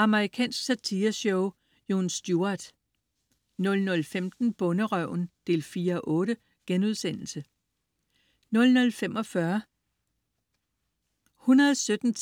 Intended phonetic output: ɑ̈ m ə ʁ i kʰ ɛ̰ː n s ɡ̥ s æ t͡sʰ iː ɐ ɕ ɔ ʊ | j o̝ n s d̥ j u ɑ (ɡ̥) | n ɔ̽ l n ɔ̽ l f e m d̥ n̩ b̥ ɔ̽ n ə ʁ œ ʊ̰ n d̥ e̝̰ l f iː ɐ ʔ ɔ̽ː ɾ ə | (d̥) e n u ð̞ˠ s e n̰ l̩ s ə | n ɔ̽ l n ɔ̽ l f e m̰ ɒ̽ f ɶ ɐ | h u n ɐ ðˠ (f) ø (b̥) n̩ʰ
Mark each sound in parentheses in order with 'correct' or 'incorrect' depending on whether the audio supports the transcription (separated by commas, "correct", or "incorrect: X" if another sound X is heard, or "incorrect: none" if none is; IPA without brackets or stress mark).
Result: incorrect: d̥, incorrect: ɡ̥, incorrect: s, incorrect: d̥